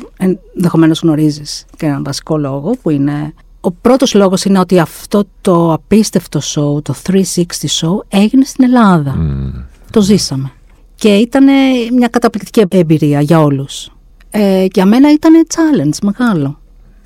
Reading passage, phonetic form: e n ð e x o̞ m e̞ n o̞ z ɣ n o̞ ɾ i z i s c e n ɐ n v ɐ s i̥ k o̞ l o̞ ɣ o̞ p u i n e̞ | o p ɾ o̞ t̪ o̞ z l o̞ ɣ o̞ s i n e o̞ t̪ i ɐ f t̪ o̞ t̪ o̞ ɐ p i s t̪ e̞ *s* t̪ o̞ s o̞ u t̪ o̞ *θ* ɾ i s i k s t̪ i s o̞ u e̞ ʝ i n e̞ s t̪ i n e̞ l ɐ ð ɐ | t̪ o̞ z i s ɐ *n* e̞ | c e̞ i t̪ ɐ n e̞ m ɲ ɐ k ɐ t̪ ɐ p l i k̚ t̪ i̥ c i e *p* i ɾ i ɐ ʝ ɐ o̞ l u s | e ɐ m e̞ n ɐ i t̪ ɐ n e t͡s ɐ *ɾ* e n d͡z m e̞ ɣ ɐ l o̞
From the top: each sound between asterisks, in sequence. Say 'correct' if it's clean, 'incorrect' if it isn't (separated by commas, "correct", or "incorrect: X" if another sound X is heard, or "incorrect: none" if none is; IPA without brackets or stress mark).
incorrect: f, correct, incorrect: m, incorrect: b, incorrect: l